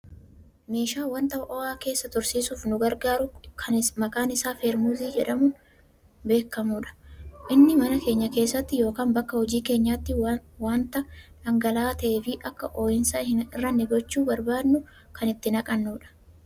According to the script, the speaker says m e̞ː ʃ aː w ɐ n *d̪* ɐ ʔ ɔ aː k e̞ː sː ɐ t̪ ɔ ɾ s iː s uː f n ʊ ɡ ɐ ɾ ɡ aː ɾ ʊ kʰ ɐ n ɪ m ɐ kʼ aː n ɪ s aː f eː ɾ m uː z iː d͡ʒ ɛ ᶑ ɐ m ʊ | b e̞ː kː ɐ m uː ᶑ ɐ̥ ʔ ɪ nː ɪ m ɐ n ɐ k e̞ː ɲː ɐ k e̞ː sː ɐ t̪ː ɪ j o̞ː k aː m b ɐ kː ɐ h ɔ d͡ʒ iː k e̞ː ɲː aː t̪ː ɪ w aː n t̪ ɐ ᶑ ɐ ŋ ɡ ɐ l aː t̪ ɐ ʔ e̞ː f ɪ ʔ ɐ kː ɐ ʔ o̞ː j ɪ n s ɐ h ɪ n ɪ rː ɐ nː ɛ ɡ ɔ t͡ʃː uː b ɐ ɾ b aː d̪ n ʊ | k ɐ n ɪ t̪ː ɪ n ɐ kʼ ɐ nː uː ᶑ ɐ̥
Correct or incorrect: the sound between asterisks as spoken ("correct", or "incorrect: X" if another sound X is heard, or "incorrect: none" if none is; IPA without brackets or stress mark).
incorrect: t̪